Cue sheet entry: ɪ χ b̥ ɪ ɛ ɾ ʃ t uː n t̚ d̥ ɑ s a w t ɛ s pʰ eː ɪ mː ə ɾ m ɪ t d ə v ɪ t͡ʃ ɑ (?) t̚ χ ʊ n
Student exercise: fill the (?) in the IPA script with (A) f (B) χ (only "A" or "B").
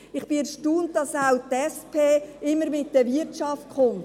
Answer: A